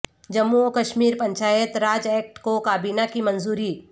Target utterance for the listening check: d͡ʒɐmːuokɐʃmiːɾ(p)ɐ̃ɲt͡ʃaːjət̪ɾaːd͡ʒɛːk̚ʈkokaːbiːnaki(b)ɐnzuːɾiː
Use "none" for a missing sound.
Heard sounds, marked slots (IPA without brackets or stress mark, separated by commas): p, m